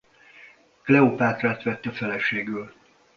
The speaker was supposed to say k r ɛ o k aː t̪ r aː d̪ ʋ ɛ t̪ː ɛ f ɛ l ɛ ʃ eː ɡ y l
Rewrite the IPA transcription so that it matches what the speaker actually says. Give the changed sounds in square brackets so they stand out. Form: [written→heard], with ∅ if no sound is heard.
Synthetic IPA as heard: k [r→l] ɛ o [k→p] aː t̪ r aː [d̪→t̪] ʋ ɛ t̪ː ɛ f ɛ l ɛ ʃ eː ɡ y l

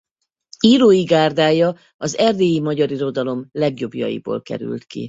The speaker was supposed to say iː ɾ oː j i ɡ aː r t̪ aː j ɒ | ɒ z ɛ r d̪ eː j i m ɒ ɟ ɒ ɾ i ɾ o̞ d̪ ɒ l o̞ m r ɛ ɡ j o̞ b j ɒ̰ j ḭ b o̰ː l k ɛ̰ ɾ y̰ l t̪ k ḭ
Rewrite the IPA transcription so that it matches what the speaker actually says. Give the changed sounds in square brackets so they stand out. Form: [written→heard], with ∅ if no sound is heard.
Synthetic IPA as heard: iː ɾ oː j i ɡ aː r [t̪→d̪] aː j ɒ | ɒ z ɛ r d̪ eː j i m ɒ ɟ ɒ ɾ i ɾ o̞ d̪ ɒ l o̞ m [r→l] ɛ ɡ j o̞ b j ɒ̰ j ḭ b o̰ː l k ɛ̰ ɾ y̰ l t̪ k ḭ

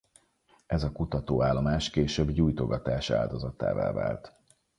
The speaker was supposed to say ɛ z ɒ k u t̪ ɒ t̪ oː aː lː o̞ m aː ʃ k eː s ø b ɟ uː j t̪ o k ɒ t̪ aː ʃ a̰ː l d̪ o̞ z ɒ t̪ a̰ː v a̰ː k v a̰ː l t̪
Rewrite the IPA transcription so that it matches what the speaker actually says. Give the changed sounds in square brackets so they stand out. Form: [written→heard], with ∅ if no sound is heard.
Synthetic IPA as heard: ɛ z ɒ k u t̪ ɒ t̪ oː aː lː o̞ m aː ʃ k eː [s→ʃ] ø b ɟ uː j t̪ o [k→ɡ] ɒ t̪ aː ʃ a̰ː l d̪ o̞ z ɒ t̪ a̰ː v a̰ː [k→∅] v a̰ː l t̪

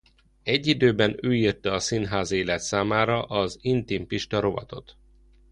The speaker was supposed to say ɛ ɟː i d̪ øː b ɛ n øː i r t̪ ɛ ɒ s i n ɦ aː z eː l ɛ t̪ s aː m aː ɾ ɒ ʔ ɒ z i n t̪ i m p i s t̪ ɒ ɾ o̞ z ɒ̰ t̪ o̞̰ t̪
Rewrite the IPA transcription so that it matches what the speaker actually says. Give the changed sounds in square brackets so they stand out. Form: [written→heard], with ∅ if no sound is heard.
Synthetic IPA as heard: ɛ ɟː i d̪ øː b ɛ n øː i r t̪ ɛ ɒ s i n ɦ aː z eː l ɛ t̪ s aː m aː ɾ ɒ ʔ ɒ z i n t̪ i m p i [s→ʃ] t̪ ɒ ɾ o̞ [z→v] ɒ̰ t̪ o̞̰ t̪

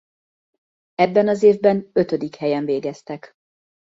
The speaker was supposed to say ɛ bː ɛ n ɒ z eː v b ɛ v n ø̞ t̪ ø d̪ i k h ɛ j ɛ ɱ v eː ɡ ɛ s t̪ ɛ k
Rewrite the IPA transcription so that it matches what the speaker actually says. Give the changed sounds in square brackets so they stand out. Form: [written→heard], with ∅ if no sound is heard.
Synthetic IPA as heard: ɛ bː ɛ n ɒ z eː v b ɛ [v→∅] n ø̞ t̪ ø d̪ i k h ɛ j ɛ ɱ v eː ɡ ɛ s t̪ ɛ k

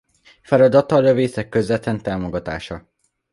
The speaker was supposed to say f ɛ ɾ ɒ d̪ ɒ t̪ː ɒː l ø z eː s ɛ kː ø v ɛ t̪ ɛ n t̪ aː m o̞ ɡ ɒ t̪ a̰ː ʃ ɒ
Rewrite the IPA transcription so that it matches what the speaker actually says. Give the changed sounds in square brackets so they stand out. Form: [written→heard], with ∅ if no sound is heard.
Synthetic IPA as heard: f ɛ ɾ ɒ d̪ ɒ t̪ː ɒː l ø [z→v] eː s ɛ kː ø [v→z] ɛ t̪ ɛ n t̪ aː m o̞ ɡ ɒ t̪ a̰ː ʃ ɒ

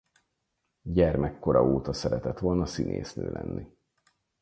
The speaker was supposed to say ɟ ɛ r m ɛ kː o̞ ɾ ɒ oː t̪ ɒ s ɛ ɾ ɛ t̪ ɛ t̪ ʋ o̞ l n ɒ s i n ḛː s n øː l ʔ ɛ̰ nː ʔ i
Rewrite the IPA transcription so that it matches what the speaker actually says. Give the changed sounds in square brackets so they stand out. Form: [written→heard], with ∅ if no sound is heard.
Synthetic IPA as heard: ɟ ɛ r m ɛ kː o̞ ɾ ɒ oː t̪ ɒ s ɛ ɾ ɛ t̪ ɛ t̪ ʋ o̞ l n ɒ s i n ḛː s n øː l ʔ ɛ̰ nː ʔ i

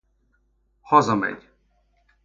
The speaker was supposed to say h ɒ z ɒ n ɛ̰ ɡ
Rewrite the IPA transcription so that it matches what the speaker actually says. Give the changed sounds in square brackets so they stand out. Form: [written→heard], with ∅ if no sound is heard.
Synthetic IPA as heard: h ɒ z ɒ [n→m] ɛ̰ [ɡ→ɟ]

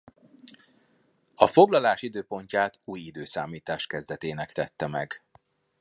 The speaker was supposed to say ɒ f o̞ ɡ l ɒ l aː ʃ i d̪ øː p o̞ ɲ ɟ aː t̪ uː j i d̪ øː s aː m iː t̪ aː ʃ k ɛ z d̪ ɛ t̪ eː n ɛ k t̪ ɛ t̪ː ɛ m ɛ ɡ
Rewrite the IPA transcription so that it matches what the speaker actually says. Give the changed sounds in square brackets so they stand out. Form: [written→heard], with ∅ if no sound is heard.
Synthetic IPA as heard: ɒ f o̞ ɡ l ɒ l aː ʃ i d̪ øː p o̞ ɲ [ɟ→c] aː t̪ uː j i d̪ øː s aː m iː t̪ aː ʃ k ɛ z d̪ ɛ t̪ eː n ɛ k t̪ ɛ t̪ː ɛ m ɛ ɡ

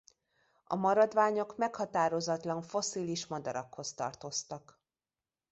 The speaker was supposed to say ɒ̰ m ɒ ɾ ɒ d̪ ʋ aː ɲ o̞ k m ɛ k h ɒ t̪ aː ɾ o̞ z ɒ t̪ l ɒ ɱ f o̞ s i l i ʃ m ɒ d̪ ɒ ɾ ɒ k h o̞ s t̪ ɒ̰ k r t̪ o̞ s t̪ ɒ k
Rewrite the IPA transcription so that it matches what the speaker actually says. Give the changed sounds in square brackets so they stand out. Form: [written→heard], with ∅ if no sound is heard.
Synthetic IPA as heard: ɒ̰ m ɒ ɾ ɒ d̪ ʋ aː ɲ o̞ k m ɛ k h ɒ t̪ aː ɾ o̞ z ɒ t̪ l ɒ ɱ f o̞ s i l i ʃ m ɒ d̪ ɒ ɾ ɒ k h o̞ s t̪ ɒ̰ [k→∅] r t̪ o̞ s t̪ ɒ k

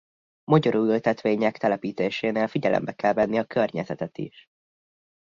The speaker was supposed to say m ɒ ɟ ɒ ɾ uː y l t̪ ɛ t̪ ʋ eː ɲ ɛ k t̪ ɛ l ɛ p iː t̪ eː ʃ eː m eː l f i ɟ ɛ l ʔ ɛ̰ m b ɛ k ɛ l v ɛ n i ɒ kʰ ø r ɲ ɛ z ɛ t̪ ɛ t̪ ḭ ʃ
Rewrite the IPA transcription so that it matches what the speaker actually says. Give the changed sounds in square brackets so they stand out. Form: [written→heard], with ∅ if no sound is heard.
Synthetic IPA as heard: m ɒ ɟ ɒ ɾ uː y l t̪ ɛ t̪ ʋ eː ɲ ɛ k t̪ ɛ l ɛ p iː t̪ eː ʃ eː [m→n] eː l f i ɟ ɛ l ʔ ɛ̰ m b ɛ k ɛ l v ɛ [n→nː] i ɒ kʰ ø r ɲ ɛ z ɛ t̪ ɛ t̪ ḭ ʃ

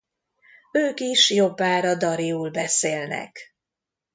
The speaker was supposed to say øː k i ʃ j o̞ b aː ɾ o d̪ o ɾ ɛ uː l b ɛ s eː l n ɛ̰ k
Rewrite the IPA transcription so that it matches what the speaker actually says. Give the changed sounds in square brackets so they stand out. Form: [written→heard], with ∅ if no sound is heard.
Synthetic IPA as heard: øː k i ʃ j o̞ [b→bː] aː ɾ [o→ɒ] d̪ [o→ɒ] ɾ [ɛ→i] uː l b ɛ s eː l n ɛ̰ k

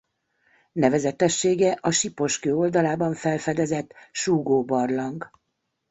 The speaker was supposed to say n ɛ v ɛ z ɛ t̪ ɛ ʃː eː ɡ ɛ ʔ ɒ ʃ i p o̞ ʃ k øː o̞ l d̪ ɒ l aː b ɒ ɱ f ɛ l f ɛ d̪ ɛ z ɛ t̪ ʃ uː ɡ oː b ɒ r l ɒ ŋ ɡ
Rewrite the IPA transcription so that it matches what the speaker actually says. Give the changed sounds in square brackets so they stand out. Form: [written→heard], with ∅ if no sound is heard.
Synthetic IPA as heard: n ɛ v ɛ z ɛ t̪ ɛ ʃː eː ɡ ɛ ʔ ɒ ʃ i p o̞ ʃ k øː o̞ l d̪ ɒ l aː b ɒ ɱ f ɛ l f ɛ d̪ ɛ z ɛ t̪ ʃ uː ɡ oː b ɒ r l ɒ ŋ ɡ

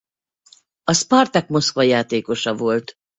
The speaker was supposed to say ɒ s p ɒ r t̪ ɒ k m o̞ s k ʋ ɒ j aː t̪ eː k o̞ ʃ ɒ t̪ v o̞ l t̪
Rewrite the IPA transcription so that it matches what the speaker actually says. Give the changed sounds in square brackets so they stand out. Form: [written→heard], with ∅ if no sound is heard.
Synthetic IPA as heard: ɒ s p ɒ r t̪ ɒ k m o̞ s k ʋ ɒ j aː t̪ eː k o̞ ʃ ɒ [t̪→∅] v o̞ l t̪

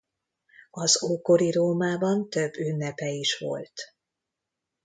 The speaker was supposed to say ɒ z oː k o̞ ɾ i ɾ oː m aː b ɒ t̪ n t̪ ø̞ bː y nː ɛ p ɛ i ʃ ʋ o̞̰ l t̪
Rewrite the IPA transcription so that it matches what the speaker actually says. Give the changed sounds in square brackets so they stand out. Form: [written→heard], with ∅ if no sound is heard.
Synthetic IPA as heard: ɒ z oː k o̞ ɾ i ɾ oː m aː b ɒ [t̪→∅] n t̪ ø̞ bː y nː ɛ p ɛ i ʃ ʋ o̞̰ l t̪

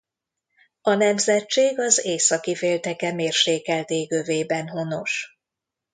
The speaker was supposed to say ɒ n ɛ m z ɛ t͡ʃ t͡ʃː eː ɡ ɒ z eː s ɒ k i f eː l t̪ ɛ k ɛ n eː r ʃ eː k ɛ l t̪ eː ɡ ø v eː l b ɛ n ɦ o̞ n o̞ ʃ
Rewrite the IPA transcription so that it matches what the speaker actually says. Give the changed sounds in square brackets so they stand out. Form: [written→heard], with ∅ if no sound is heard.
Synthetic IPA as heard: ɒ n ɛ m z ɛ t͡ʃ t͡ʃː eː ɡ ɒ z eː s ɒ k i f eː l t̪ ɛ k ɛ [n→m] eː r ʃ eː k ɛ l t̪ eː ɡ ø v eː [l→∅] b ɛ n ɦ o̞ n o̞ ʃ

